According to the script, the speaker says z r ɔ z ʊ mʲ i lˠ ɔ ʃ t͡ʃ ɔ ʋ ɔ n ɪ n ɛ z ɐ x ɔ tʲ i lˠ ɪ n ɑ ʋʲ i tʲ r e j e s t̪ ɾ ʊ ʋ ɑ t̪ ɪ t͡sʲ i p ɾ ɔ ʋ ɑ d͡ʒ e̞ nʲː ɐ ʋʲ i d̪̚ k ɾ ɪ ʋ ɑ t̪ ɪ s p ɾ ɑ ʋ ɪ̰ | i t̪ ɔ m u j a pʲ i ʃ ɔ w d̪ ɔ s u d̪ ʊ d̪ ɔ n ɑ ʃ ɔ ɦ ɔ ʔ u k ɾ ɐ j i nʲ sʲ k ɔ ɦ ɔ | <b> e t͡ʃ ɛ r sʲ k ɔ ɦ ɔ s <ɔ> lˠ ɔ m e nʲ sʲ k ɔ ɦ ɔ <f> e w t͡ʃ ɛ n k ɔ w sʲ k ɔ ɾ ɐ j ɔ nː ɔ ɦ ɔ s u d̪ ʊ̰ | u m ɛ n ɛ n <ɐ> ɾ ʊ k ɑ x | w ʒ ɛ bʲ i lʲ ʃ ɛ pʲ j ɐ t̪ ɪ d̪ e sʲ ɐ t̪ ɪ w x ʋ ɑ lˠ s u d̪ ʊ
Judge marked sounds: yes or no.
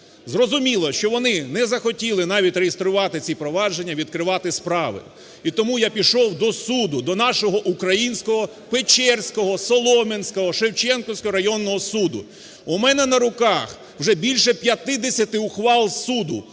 no, yes, no, yes

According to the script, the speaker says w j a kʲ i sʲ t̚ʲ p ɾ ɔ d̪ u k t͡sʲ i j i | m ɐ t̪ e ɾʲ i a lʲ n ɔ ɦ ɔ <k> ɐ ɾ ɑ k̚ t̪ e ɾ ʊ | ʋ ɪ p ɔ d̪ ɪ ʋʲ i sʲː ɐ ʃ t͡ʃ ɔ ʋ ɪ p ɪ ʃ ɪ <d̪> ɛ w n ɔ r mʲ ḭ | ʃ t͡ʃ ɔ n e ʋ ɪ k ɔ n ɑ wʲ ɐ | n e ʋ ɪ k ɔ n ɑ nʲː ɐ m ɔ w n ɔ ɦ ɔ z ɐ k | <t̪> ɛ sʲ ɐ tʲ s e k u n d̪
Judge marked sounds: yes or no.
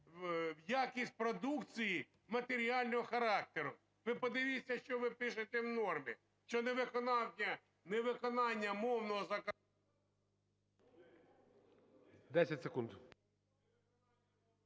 no, no, no

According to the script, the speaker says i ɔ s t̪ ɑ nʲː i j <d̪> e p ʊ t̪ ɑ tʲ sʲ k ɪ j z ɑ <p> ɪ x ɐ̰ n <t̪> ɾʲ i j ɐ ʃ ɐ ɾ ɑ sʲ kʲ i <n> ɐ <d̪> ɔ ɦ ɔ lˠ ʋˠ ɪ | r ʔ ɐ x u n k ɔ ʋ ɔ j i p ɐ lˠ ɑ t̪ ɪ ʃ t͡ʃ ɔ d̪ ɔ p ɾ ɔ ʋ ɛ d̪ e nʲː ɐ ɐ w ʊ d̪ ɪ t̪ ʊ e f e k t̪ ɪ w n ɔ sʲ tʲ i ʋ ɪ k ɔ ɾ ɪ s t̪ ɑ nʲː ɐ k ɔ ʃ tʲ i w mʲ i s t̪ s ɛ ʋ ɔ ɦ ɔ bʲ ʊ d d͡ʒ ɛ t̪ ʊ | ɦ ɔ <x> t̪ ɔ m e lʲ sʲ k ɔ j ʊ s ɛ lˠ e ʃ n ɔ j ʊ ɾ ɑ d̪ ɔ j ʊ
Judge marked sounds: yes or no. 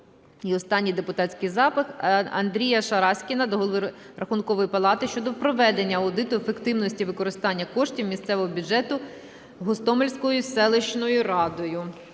yes, yes, no, yes, yes, no

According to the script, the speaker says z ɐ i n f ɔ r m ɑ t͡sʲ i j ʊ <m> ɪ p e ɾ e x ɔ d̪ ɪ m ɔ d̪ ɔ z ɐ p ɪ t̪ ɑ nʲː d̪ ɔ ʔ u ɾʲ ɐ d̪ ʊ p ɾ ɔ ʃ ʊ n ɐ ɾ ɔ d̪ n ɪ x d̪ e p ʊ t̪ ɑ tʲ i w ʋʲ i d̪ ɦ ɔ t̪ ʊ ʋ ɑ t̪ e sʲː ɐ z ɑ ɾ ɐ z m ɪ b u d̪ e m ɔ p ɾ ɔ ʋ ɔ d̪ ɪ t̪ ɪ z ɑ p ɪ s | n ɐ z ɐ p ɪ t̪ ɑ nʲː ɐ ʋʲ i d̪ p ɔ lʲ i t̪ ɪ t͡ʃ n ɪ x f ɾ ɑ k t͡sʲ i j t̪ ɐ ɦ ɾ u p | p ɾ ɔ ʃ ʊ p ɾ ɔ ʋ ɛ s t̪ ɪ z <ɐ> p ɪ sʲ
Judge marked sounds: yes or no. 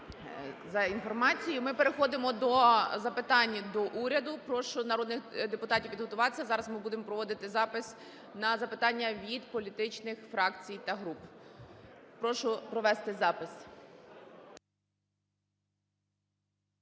yes, no

